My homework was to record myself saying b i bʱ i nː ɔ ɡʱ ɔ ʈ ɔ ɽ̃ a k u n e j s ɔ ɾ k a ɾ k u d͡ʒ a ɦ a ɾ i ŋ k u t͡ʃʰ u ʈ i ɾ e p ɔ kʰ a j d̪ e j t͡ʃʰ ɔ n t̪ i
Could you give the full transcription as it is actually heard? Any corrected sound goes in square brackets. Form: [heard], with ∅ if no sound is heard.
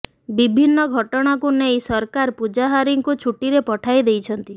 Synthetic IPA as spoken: b i bʱ i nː ɔ ɡʱ ɔ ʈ ɔ ɽ̃ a k u n e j s ɔ ɾ k a ɾ [p] u d͡ʒ a ɦ a ɾ i ŋ k u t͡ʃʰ u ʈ i ɾ e p ɔ [ʈʰ] a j d̪ e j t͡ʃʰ ɔ n t̪ i